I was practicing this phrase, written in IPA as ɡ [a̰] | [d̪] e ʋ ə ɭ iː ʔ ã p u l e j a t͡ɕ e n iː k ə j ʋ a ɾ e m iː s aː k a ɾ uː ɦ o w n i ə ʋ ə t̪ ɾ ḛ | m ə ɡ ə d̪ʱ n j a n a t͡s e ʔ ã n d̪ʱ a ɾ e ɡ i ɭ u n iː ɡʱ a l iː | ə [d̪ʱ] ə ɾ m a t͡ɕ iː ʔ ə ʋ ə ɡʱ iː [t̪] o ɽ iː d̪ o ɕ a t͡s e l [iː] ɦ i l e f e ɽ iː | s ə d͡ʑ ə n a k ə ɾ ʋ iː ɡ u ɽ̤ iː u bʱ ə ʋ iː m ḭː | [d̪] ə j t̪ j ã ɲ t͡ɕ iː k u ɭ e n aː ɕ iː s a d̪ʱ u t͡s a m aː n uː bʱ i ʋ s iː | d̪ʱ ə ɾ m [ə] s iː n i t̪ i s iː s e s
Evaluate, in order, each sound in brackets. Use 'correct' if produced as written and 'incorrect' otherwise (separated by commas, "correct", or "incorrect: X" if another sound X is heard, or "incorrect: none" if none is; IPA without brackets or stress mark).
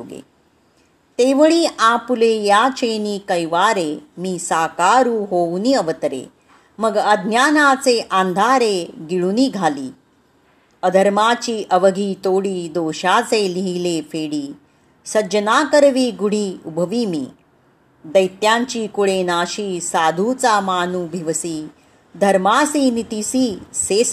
incorrect: ḛ, incorrect: t̪, correct, correct, incorrect: i, correct, incorrect: a